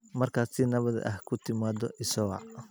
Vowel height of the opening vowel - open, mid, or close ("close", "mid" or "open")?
open